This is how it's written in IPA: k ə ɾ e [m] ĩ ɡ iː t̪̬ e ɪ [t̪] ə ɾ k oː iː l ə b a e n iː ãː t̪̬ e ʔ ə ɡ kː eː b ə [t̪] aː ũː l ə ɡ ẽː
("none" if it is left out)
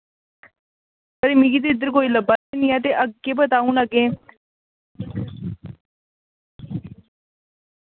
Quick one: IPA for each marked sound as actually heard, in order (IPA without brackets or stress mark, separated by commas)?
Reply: m, d̪, t̪